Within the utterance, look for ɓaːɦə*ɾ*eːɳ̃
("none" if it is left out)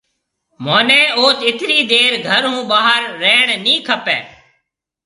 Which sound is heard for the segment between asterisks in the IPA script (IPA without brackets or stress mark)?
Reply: ɾː